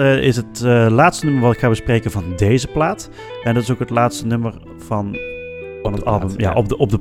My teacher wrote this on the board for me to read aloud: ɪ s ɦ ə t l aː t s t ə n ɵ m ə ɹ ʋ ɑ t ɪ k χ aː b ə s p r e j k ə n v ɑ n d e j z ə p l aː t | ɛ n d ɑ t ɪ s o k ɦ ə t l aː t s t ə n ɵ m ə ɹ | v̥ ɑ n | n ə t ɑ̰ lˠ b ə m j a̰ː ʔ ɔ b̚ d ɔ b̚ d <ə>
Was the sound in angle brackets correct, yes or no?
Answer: yes